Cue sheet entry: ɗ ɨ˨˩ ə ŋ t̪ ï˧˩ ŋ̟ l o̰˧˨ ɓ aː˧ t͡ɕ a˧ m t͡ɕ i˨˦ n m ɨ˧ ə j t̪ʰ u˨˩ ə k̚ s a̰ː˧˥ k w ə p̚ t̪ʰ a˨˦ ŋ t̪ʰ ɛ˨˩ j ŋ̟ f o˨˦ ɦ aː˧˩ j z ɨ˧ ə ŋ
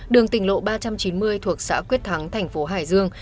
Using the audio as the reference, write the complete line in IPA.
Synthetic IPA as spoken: ɗ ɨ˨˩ ə ŋ t̪ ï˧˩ ŋ̟ l o̰˧˨ ɓ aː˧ t͡ɕ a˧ m t͡ɕ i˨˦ n m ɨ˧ ə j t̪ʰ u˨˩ ə k̚ s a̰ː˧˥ k w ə t̚ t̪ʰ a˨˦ ŋ t̪ʰ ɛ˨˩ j ŋ̟ f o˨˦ ɦ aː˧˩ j z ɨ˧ ə ŋ